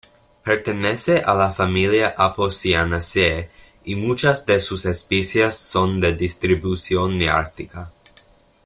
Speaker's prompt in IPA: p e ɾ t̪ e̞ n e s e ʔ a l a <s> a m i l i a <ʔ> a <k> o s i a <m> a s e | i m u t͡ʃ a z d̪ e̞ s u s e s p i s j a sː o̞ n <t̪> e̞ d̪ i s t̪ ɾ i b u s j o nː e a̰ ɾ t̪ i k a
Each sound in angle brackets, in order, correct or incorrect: incorrect, correct, incorrect, incorrect, incorrect

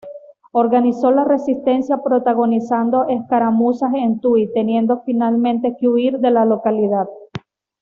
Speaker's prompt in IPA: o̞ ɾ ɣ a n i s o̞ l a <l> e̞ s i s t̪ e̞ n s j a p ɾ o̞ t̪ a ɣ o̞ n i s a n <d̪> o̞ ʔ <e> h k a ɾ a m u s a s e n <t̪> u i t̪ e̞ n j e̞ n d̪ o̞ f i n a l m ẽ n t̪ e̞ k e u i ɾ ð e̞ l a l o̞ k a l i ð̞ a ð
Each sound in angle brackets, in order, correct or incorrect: incorrect, correct, correct, correct

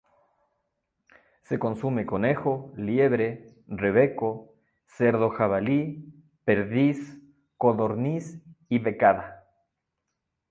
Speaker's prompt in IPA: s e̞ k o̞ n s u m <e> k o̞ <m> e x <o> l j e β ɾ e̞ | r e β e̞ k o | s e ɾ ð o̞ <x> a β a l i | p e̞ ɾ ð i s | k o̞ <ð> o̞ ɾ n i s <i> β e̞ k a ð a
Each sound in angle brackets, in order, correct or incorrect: correct, incorrect, correct, correct, correct, correct

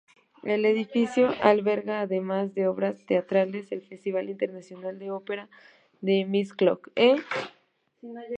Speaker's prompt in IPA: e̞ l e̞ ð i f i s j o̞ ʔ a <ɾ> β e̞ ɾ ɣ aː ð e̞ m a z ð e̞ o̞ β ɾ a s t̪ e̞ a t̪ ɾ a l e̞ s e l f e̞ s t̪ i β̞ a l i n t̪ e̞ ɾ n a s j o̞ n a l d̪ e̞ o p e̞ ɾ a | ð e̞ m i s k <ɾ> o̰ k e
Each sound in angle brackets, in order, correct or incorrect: incorrect, incorrect

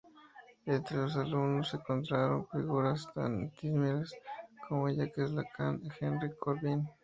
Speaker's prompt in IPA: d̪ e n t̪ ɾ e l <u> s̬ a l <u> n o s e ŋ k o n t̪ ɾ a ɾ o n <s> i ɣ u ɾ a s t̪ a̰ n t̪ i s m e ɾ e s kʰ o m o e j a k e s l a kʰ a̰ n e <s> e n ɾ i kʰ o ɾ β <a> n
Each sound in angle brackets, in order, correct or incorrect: incorrect, correct, incorrect, incorrect, incorrect

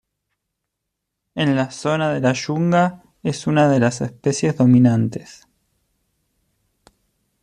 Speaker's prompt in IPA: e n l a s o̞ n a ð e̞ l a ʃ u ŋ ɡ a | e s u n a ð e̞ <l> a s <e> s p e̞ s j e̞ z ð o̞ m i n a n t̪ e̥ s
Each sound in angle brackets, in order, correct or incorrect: correct, correct

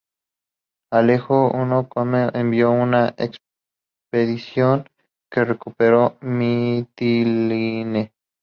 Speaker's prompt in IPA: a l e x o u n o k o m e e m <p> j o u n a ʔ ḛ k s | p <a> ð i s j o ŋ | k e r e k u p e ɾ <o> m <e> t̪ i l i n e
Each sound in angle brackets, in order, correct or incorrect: incorrect, incorrect, correct, incorrect

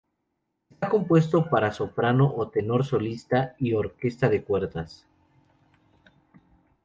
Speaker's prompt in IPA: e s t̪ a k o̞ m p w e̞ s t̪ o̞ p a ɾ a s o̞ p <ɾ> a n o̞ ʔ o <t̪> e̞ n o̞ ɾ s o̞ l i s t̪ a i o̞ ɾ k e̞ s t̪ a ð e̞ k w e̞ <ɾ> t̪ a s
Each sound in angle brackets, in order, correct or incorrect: correct, correct, correct

